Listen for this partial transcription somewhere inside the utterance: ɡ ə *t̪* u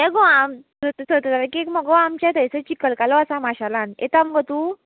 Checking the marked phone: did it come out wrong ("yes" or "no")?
no